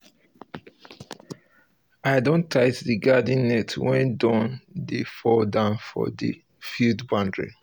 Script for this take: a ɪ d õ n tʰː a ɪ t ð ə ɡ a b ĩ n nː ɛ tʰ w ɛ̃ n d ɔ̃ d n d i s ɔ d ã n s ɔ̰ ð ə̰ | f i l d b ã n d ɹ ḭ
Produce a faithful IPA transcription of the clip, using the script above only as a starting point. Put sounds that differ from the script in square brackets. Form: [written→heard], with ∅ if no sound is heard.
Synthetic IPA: a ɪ d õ n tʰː a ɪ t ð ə ɡ a [b→d] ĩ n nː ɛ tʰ w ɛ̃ n d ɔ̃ [d→∅] n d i [s→f] ɔ d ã n [s→f] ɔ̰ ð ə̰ | f i l d b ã n d ɹ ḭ

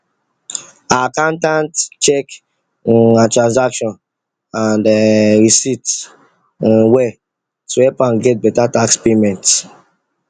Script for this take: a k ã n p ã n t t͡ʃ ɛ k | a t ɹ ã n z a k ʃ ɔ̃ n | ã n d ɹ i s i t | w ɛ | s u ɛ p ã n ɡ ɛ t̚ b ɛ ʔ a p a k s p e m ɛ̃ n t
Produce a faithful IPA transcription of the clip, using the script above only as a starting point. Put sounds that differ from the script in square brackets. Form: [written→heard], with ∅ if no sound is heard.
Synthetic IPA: a k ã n [p→t] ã n t t͡ʃ ɛ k | a t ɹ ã n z a k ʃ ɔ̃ n | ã n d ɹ i s i t | w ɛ | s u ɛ p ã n ɡ ɛ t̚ b ɛ [ʔ→t] a [p→t] a k s p e m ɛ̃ n t

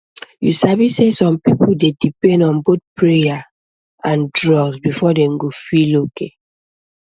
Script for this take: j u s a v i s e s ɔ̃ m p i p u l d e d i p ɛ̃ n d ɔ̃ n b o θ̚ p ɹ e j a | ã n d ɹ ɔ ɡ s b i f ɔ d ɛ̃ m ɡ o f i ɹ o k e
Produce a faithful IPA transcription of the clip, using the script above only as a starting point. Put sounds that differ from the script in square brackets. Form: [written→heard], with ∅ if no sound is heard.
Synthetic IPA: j u s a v i s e s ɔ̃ m p i p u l d e d i p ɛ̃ n d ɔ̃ n b o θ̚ p ɹ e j a | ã n d ɹ ɔ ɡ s b i f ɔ d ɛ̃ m ɡ o f i [ɹ→l] o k e

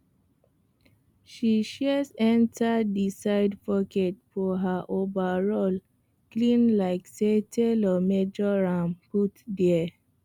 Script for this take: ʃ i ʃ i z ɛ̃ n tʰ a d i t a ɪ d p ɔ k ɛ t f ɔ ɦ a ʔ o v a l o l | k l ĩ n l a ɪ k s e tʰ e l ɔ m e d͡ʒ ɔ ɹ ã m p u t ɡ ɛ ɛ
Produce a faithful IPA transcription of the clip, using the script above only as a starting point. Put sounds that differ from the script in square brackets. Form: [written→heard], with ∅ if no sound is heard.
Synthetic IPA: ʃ i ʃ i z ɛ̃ n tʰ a d i [t→s] a ɪ d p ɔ k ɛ t f ɔ ɦ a ʔ o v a [l→ɹ] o l | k l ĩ n l a ɪ k s e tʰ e l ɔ m e d͡ʒ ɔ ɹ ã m p u t [ɡ→d] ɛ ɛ

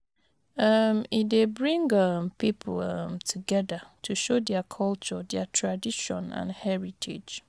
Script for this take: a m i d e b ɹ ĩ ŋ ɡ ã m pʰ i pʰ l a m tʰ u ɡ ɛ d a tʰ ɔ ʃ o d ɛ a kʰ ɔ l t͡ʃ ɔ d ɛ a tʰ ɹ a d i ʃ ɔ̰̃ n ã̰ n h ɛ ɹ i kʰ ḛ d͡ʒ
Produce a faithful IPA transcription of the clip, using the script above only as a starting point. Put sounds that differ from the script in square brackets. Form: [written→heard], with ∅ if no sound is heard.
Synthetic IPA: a m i d e b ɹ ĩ ŋ ɡ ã m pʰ i pʰ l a m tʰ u ɡ ɛ d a tʰ [ɔ→u] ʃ o d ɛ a kʰ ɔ l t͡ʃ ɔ d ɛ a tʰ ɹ a d i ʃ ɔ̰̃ n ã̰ n h ɛ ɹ i [kʰ→tʰ] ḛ d͡ʒ

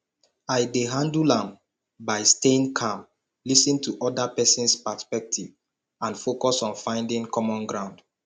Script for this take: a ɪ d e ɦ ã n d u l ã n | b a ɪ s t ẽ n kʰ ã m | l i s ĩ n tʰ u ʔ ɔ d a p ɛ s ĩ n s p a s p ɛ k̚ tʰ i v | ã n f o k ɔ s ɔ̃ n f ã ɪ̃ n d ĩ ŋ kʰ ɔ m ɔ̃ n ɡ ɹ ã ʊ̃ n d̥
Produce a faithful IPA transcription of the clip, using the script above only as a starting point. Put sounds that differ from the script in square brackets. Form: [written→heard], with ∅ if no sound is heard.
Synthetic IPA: a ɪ d e ɦ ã n d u l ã [n→m] | b a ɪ s t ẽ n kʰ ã m | l i s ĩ n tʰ u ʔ ɔ d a p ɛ s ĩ n s p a s p ɛ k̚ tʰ i v | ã n f o k ɔ s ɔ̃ n f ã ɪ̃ n d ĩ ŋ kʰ ɔ m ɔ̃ n ɡ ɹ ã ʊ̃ n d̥

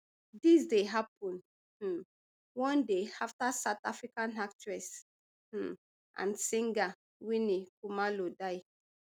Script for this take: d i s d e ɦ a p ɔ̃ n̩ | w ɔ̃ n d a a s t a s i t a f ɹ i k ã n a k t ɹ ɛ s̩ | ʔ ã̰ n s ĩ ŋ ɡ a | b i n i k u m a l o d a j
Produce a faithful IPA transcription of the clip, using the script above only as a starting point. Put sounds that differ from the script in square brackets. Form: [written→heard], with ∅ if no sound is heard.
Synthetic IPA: d i s d e ɦ a p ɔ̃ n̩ | w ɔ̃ n d [a→e] a [s→f] t a s [i→a] t a f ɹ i k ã n a k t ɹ ɛ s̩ | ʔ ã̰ n s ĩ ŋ ɡ a | [b→w] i n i k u m a l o d a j

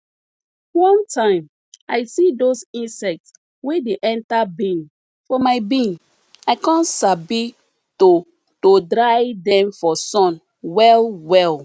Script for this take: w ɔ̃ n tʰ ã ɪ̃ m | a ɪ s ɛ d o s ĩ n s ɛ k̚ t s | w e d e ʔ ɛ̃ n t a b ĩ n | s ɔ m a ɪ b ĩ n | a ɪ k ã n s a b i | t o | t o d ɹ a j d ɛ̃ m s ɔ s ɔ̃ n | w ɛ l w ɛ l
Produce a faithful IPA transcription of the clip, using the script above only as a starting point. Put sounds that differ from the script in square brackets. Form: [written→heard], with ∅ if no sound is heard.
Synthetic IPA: w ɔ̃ n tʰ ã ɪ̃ m | a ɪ s [ɛ→i] d o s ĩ n s ɛ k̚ t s | w e d e ʔ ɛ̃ n t a b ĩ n | [s→f] ɔ m a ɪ b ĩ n | a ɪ k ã n s a b i | t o | t o d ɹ a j d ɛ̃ m [s→f] ɔ s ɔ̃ n | w ɛ l w ɛ l

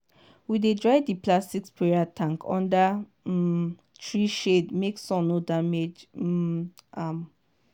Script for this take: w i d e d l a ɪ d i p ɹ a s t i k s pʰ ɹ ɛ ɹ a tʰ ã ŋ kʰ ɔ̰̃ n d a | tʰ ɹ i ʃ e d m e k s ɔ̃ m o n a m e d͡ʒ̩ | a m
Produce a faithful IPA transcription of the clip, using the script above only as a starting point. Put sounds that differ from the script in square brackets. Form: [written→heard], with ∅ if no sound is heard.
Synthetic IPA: w i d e d [l→ɹ] a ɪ d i p [ɹ→l] a s t i k s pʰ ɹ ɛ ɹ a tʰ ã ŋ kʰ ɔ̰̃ n d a | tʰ ɹ i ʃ e d m e k s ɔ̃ [m→n] o [n→d] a m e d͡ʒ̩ | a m

